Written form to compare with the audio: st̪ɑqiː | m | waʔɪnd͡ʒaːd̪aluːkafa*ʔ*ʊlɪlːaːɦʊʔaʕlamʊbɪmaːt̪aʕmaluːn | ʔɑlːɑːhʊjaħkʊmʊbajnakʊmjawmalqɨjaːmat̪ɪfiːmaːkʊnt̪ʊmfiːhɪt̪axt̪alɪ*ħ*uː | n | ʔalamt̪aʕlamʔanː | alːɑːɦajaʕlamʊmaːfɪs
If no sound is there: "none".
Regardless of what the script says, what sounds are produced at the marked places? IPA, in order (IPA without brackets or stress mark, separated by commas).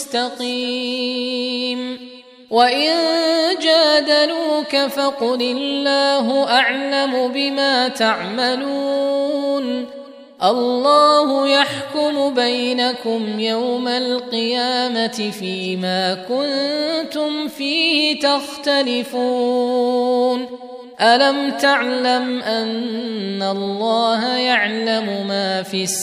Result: q, f